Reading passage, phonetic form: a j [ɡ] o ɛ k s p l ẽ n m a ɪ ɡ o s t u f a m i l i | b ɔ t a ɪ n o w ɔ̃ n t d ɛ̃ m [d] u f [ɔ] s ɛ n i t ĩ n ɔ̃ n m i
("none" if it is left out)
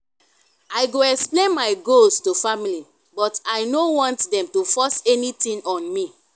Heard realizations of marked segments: ɡ, t, ɔ

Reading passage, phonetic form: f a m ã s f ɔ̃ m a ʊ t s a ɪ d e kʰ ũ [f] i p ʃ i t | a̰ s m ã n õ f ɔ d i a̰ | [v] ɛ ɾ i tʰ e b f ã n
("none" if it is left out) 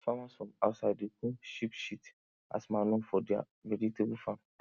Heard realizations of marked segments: ʃ, v

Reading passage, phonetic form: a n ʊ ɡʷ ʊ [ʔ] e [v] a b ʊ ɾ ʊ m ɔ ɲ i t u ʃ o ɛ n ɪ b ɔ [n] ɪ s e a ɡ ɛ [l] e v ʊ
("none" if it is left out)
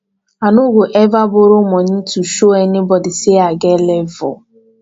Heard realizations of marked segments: ʔ, v, d, l

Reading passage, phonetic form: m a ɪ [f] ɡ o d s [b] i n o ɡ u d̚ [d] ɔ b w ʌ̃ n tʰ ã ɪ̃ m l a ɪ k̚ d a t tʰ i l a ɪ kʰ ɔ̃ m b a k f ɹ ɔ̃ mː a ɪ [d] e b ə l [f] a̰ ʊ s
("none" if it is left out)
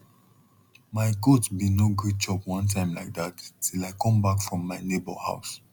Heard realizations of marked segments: none, b, d͡ʒ, n, h

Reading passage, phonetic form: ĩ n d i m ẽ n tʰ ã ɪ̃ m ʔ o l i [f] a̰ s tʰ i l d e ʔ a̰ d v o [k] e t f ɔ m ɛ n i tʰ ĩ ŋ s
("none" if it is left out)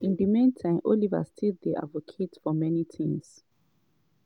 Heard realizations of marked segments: v, kʰ

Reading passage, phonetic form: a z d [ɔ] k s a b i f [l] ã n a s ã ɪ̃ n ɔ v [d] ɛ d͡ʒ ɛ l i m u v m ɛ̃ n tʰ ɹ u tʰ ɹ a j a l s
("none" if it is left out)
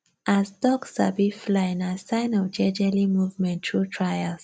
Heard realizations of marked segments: ɔ, l, d͡ʒ

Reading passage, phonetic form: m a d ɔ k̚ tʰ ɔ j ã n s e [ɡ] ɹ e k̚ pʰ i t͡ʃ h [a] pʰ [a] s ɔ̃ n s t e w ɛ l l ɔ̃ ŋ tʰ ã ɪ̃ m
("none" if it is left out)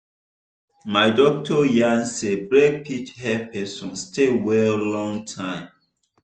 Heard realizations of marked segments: b, ɛ, ɛ

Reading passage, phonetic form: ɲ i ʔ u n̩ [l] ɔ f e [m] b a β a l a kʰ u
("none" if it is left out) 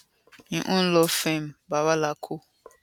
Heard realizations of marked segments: l, m

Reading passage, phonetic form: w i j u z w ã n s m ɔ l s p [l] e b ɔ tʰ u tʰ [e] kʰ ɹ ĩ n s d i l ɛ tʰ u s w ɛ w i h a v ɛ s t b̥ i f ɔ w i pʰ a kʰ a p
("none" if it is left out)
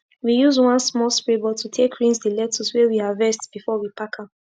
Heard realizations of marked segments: ɹ, e

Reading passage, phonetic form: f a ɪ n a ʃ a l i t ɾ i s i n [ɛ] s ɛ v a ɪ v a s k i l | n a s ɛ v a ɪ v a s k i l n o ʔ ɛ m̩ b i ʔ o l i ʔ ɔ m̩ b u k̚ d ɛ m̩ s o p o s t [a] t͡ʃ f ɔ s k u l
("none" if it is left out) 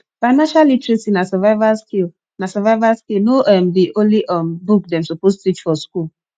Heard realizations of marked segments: a, i

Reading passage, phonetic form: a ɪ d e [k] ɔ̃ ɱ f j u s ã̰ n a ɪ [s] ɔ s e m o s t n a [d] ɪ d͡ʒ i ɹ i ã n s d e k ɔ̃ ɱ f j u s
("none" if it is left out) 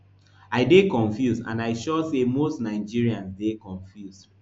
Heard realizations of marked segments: k, ʃ, none

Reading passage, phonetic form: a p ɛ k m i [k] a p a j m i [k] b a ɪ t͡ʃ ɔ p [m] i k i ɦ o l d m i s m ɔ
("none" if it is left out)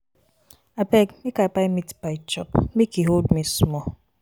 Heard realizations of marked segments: k, t, m

